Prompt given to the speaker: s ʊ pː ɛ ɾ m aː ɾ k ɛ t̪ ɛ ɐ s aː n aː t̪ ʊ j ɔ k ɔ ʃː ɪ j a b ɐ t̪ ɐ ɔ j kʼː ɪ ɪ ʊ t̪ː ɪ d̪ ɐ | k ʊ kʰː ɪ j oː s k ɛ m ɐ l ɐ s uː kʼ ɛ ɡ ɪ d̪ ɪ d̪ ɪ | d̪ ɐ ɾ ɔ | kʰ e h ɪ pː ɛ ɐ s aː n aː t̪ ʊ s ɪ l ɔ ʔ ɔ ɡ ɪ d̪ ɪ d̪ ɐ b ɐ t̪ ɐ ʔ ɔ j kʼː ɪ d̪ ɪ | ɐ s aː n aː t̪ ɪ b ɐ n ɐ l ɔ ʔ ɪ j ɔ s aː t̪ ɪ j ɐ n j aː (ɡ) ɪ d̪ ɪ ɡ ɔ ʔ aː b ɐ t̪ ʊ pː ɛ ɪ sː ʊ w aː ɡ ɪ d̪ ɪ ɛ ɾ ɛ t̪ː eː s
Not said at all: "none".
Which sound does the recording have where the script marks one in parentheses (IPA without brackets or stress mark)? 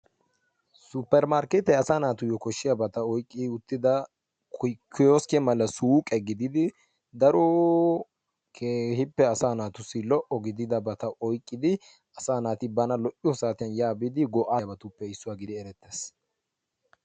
b